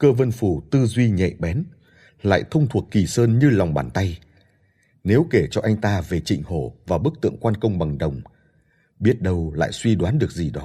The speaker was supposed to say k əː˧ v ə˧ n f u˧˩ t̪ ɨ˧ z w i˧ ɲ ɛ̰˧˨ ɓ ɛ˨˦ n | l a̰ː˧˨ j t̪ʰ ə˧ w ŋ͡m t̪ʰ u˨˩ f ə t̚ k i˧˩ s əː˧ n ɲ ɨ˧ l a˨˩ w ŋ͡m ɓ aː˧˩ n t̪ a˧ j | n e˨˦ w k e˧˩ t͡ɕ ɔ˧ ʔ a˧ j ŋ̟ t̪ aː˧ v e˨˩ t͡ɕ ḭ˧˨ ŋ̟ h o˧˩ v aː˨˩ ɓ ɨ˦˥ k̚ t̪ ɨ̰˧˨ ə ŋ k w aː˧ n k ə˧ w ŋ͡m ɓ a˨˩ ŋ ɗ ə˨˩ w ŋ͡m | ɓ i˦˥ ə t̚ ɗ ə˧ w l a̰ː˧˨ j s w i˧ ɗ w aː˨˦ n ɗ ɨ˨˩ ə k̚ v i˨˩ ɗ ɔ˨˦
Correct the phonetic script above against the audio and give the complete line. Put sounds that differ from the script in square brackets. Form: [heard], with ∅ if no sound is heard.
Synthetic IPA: k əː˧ v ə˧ n f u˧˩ t̪ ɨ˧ z w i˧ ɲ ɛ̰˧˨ ɓ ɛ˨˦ n | l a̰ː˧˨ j t̪ʰ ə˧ w ŋ͡m t̪ʰ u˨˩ [∅] ə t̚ k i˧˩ s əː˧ n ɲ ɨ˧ l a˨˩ w ŋ͡m ɓ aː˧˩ n t̪ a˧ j | n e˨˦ w k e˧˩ t͡ɕ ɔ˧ ʔ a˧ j ŋ̟ t̪ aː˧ v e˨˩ t͡ɕ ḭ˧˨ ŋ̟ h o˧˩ v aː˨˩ ɓ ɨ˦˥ k̚ t̪ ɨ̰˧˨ ə ŋ k w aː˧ n k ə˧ w ŋ͡m ɓ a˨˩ ŋ ɗ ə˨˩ w ŋ͡m | ɓ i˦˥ ə t̚ ɗ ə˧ w l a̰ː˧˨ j s w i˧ ɗ w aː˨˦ n ɗ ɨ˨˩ ə k̚ [z] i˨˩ ɗ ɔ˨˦